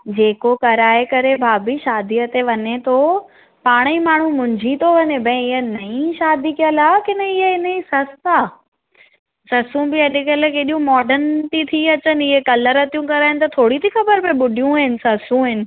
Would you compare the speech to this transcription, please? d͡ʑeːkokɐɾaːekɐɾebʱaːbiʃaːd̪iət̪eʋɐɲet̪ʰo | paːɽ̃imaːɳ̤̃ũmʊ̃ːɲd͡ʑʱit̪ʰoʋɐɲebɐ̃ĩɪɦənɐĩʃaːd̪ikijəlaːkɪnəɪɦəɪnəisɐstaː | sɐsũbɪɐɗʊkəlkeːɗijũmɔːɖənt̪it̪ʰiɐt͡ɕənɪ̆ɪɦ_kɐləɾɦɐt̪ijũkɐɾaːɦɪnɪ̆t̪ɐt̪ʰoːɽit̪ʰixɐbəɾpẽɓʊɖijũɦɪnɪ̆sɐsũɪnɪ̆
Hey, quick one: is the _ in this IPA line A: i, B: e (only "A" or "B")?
B